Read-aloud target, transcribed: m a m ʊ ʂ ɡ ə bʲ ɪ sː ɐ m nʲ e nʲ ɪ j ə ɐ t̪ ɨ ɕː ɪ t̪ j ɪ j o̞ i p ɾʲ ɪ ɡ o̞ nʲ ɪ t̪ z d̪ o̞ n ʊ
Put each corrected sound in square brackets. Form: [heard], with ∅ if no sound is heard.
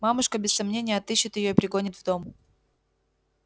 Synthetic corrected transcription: m a m ʊ ʂ [k] ə bʲ ɪ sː ɐ m nʲ e nʲ ɪ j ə ɐ t̪ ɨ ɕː ɪ t̪ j ɪ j o̞ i p ɾʲ ɪ ɡ o̞ nʲ ɪ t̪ [v] d̪ o̞ [m] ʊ